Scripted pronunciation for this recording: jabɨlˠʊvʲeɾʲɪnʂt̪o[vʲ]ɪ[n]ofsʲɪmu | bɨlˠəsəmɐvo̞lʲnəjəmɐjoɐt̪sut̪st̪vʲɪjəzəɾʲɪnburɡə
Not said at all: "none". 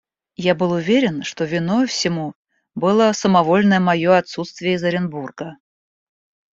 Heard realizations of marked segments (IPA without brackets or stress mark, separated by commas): vʲ, n